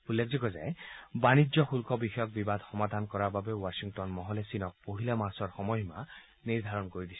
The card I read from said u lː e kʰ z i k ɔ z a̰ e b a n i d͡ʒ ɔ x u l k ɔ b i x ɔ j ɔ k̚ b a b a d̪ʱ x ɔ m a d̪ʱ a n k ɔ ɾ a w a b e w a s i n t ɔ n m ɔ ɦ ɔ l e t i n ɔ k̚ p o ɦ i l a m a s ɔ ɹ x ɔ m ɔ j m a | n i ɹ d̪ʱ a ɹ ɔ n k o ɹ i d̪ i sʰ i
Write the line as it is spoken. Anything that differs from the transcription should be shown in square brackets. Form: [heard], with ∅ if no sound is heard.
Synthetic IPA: u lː e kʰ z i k ɔ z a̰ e b a n i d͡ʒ ɔ x u l k ɔ b i x ɔ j ɔ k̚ b [i] b a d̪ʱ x ɔ m a d̪ʱ a n k ɔ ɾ a [b] a b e w a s i [ŋ] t ɔ n m ɔ ɦ ɔ l e [s] i n ɔ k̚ p o ɦ i l a m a s ɔ ɹ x ɔ m ɔ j m a | n i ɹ d̪ʱ a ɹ ɔ n k o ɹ i d̪ i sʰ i